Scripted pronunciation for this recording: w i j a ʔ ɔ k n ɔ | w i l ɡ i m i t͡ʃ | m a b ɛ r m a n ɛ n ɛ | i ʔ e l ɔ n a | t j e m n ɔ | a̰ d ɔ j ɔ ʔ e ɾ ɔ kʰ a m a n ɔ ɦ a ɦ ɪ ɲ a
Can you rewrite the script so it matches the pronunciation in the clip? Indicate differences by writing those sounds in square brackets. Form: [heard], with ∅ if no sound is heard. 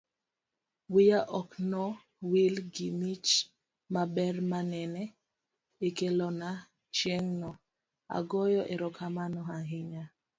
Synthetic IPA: w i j a ʔ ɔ k n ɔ | w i l ɡ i m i t͡ʃ | m a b ɛ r m a n ɛ n ɛ | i [k] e l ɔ n a | [t͡ʃ] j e [ŋ] n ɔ | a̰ [ɡ] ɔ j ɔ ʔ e ɾ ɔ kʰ a m a n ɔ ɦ a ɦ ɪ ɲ a